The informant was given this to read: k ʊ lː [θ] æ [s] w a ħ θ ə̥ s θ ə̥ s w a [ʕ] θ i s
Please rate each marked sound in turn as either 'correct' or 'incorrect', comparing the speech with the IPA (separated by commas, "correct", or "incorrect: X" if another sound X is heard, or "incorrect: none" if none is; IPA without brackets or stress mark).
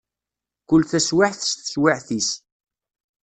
correct, correct, correct